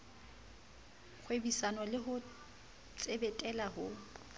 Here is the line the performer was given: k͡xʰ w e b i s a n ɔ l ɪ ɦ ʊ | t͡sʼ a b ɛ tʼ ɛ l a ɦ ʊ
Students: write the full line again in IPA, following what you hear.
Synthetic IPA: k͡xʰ w e b i s a n ɔ l ɪ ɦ ʊ | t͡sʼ e b ɛ tʼ ɛ l a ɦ ʊ